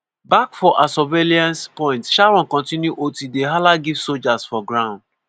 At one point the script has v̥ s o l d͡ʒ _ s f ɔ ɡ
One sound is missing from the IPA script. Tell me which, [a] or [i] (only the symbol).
a